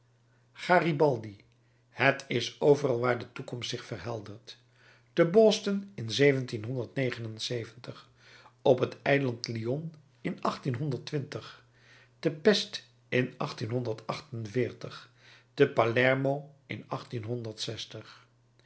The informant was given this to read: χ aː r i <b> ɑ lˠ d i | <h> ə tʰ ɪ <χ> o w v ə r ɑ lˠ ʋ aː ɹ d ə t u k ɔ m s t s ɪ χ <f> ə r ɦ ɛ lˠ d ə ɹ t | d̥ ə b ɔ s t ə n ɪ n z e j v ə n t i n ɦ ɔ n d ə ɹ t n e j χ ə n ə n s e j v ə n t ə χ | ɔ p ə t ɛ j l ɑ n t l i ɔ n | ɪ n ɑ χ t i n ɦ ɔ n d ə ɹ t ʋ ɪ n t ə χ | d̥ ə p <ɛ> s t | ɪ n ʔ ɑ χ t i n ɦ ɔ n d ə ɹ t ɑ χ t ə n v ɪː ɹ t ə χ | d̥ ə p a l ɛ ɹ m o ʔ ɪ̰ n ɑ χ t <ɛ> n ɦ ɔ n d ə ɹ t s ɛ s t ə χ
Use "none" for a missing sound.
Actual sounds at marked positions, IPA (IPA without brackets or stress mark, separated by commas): b, h, s, f, ɛ, i